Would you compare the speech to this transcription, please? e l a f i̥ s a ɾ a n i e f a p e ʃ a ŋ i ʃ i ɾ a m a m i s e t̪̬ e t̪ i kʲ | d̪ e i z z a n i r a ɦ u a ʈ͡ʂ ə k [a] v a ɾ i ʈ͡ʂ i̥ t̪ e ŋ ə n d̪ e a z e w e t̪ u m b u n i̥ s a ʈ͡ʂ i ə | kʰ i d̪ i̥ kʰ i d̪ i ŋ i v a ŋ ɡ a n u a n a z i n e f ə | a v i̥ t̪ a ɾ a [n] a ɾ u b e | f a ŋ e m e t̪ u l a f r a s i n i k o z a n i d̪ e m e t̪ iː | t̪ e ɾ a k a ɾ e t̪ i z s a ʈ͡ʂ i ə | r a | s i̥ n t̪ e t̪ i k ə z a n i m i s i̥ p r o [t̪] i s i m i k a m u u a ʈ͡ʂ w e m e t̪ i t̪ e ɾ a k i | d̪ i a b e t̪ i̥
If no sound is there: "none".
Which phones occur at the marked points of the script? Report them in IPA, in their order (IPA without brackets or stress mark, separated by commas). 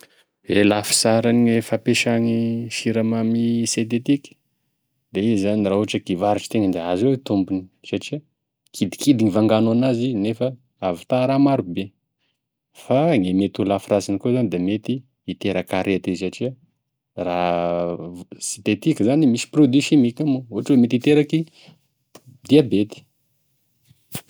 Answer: i, m, d̪